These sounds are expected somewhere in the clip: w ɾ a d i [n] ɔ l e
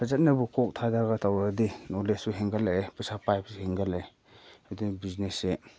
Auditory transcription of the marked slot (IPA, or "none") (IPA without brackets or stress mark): n